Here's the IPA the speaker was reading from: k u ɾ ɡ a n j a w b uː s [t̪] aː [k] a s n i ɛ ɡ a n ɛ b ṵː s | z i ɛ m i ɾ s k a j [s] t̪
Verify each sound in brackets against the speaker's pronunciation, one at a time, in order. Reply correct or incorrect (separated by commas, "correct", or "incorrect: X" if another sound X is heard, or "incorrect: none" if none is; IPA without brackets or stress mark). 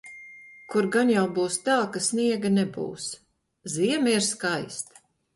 correct, correct, correct